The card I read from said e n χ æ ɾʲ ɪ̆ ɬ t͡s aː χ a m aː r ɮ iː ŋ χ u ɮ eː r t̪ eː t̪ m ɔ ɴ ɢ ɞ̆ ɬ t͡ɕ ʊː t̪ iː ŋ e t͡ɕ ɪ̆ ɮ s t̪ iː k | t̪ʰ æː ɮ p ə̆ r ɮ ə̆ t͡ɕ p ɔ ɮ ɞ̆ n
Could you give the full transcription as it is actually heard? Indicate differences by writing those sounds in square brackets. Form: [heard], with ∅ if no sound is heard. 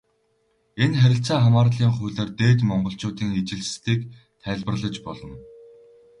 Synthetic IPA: e n χ æ ɾʲ ɪ̆ ɬ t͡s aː χ a m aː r ɮ iː ŋ χ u ɮ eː r t̪ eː t̪ m ɔ ɴ ɢ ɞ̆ ɬ t͡ɕ ʊː t̪ iː ŋ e t͡ɕ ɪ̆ ɮ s t̪ iː k | t̪ʰ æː ɮ p ə̆ r ɮ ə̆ t͡ɕ p ɔ ɮ ɞ̆ n